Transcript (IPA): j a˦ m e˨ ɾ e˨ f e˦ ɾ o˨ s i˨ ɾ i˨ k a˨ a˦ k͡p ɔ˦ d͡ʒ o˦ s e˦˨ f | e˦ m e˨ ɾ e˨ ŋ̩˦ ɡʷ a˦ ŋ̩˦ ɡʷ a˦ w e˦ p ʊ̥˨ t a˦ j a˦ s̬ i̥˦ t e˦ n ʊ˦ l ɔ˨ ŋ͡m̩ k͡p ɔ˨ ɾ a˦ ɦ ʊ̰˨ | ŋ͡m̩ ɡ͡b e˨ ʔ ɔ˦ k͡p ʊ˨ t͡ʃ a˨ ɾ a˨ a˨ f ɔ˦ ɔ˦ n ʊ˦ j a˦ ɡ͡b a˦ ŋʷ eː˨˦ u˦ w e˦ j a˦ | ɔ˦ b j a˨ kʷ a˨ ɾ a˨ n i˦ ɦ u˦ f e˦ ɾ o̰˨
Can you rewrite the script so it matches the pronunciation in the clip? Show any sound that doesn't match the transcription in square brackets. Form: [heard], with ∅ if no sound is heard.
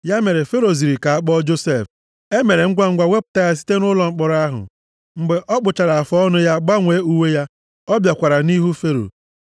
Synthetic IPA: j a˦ m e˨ ɾ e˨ f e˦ ɾ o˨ [z] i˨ ɾ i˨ k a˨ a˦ k͡p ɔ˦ d͡ʒ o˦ s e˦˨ f | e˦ m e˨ ɾ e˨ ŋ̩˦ ɡʷ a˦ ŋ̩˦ ɡʷ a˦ w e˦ p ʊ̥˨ t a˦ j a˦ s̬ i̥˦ t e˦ n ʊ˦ l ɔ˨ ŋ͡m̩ k͡p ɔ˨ ɾ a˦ ɦ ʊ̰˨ | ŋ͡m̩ ɡ͡b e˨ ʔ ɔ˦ k͡p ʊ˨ t͡ʃ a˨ ɾ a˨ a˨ f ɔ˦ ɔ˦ n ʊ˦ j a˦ ɡ͡b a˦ ŋʷ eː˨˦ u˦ w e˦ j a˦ | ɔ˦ b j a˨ kʷ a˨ ɾ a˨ n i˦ ɦ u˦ f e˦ ɾ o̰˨